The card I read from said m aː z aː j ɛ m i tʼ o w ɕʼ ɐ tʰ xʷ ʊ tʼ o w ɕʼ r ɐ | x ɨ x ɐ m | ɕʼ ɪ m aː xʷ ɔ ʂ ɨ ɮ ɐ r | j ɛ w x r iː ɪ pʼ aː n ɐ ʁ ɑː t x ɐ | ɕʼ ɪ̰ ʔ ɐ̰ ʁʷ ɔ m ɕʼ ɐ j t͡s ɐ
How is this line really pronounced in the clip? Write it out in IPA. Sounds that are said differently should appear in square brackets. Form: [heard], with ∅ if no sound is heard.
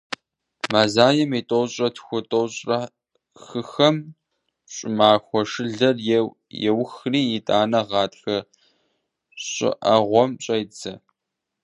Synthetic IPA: m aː z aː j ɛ m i tʼ o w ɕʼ ɐ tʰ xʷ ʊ tʼ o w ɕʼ r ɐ | x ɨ x ɐ m | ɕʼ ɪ m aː xʷ ɔ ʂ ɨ ɮ ɐ r | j ɛ w x r iː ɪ [tʼ] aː n ɐ ʁ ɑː t x ɐ | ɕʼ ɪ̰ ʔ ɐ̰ ʁʷ ɔ m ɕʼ ɐ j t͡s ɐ